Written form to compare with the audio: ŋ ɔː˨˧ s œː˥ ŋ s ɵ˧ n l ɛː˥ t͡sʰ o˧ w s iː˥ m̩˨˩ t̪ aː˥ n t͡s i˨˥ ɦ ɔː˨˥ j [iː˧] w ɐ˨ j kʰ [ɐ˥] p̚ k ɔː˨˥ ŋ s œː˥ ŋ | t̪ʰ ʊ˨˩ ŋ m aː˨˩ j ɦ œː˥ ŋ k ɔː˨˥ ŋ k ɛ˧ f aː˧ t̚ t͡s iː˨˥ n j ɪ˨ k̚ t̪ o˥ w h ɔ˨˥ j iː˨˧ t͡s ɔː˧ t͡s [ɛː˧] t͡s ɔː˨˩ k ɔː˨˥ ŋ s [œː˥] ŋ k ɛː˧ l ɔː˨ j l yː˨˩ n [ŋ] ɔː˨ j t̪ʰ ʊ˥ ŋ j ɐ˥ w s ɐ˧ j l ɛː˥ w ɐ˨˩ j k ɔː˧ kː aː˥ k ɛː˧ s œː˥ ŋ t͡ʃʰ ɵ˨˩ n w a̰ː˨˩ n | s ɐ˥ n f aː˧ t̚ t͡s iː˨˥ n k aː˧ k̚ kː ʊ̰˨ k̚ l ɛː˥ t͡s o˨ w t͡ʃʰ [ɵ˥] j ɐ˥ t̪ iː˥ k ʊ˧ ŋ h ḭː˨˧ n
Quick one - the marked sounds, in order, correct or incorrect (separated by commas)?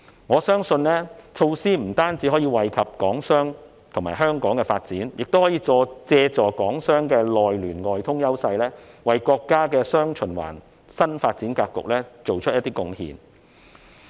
correct, incorrect, correct, correct, correct, correct